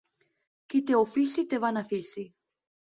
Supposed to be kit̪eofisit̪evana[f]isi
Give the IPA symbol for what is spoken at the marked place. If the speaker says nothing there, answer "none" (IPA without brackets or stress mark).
f